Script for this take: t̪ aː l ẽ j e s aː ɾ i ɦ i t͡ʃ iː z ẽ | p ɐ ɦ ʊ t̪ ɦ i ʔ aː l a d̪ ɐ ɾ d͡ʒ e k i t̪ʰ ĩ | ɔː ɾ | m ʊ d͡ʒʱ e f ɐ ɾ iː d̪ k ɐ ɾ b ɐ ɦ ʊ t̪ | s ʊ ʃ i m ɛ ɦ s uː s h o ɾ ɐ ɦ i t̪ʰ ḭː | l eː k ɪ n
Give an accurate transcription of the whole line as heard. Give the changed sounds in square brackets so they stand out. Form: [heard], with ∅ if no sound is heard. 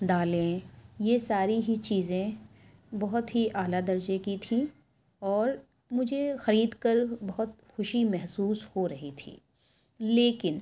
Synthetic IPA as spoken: [d̪] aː l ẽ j e s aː ɾ i ɦ i t͡ʃ iː z ẽ | [b] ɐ ɦ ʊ t̪ ɦ i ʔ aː l a d̪ ɐ ɾ d͡ʒ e k i t̪ʰ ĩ | ɔː ɾ | m ʊ d͡ʒʱ e [x] ɐ ɾ iː d̪ k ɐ ɾ b ɐ ɦ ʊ t̪ | [x] ʊ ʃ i m ɛ ɦ s uː s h o ɾ ɐ ɦ i t̪ʰ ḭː | l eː k ɪ n

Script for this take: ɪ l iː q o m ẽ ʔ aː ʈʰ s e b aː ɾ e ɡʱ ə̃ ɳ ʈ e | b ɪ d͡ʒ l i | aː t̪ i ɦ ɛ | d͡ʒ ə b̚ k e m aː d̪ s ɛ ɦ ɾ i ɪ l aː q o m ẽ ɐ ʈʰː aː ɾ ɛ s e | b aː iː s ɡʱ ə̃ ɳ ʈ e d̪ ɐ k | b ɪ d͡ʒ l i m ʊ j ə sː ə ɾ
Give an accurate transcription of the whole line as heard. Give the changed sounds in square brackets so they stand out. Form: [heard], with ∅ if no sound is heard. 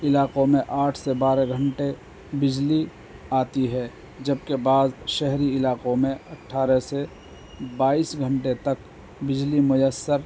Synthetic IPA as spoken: ɪ l [aː] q o m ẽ ʔ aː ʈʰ s e b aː ɾ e ɡʱ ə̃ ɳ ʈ e | b ɪ d͡ʒ l i | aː t̪ i ɦ ɛ | d͡ʒ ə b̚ k e [b] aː d̪ [ʃ] ɛ ɦ ɾ i ɪ l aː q o m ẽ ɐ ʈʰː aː ɾ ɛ s e | b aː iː s ɡʱ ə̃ ɳ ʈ e [t̪] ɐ k | b ɪ d͡ʒ l i m ʊ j ə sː ə ɾ

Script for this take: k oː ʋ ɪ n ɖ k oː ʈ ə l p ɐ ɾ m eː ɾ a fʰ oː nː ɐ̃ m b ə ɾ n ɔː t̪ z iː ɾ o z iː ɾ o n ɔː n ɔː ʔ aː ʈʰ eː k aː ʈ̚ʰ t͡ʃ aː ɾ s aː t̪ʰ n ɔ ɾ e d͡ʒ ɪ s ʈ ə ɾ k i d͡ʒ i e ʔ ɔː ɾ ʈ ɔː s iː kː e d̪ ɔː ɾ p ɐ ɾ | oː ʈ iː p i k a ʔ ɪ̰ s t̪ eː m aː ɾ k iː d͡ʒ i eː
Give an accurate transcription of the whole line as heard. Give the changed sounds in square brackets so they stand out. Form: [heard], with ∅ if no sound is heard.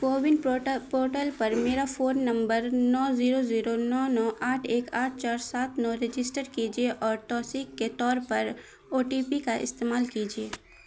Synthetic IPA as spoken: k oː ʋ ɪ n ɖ [p] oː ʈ ə l p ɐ ɾ m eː ɾ a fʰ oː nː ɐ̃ m b ə ɾ n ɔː [∅] z iː ɾ o z iː ɾ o n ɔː n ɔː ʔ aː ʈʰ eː k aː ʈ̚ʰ t͡ʃ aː ɾ s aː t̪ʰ n ɔ ɾ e d͡ʒ ɪ s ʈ ə ɾ k i d͡ʒ i e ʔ ɔː ɾ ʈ ɔː s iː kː e [t̪] ɔː ɾ p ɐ ɾ | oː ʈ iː p i k a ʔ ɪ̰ s t̪ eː m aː [l] k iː d͡ʒ i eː

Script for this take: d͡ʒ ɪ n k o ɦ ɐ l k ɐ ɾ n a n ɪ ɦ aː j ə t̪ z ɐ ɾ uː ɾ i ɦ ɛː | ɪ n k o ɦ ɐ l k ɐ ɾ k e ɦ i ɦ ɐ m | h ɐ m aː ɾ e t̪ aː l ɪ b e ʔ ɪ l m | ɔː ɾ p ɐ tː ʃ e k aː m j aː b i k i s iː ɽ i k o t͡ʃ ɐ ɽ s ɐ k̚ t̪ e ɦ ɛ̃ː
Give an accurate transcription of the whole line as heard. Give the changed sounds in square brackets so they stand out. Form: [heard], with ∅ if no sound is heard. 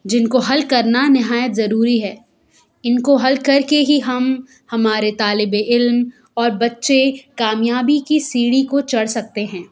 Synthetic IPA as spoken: d͡ʒ ɪ n k o ɦ ɐ l k ɐ ɾ n a n ɪ ɦ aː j ə t̪ z ɐ ɾ uː ɾ i ɦ ɛː | ɪ n k o ɦ ɐ l k ɐ ɾ k e ɦ i ɦ ɐ m | h ɐ m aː ɾ e t̪ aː l ɪ b e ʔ ɪ l m | ɔː ɾ [b] ɐ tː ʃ e k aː m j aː b i k i s iː ɽ i k o t͡ʃ ɐ ɽ s ɐ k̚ t̪ e ɦ ɛ̃ː

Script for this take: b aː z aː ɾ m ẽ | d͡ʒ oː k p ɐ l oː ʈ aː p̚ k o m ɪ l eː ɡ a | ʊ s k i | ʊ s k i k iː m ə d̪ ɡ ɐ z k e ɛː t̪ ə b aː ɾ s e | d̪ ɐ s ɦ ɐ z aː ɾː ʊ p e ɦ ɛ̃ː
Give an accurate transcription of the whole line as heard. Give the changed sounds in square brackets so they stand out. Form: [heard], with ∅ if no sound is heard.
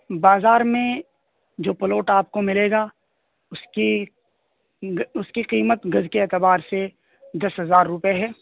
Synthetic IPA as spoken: b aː z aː ɾ m ẽ | d͡ʒ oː [∅] p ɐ l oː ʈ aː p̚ k o m ɪ l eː ɡ a | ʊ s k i | ʊ s k i [q] iː m ə [t̪] ɡ ɐ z k e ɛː t̪ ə b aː ɾ s e | d̪ ɐ s ɦ ɐ z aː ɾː ʊ p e ɦ [ɛː]

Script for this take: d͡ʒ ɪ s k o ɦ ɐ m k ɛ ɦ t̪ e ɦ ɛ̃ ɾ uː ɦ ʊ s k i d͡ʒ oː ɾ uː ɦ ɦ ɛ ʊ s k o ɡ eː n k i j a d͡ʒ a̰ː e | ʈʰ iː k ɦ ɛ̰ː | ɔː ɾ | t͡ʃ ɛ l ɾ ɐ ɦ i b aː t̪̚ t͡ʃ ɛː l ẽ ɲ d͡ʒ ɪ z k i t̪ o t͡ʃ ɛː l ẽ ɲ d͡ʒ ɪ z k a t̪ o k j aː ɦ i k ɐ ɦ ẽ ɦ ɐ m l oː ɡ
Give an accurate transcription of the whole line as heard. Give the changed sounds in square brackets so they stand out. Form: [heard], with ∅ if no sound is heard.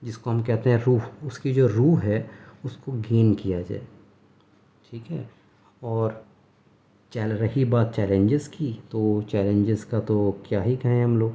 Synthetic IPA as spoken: d͡ʒ ɪ s k o ɦ ɐ m k ɛ ɦ t̪ e ɦ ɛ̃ ɾ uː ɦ ʊ s k i d͡ʒ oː ɾ uː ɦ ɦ ɛ ʊ s k o ɡ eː n k i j a d͡ʒ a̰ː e | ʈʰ iː k ɦ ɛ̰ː | ɔː ɾ | t͡ʃ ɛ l ɾ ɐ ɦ i b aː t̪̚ t͡ʃ ɛː l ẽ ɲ d͡ʒ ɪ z k i t̪ o t͡ʃ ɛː l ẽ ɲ d͡ʒ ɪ z k a t̪ o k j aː ɦ i k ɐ ɦ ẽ ɦ ɐ m l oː ɡ

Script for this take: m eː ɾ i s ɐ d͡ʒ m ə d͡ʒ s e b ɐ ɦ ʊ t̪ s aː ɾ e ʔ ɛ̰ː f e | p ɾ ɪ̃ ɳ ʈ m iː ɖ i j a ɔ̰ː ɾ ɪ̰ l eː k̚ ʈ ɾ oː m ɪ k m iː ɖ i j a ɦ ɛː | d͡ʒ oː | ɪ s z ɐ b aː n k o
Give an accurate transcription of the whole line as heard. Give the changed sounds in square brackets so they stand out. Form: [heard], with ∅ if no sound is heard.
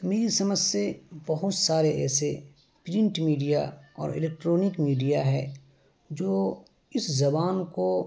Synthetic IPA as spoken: m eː ɾ i s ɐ [∅] m ə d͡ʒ s e b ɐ ɦ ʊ t̪ s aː ɾ e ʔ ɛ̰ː [s] e | p ɾ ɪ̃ ɳ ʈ m iː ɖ i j a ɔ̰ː ɾ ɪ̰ l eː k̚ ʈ ɾ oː [n] ɪ k m iː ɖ i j a ɦ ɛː | d͡ʒ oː | ɪ s z ɐ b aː n k o

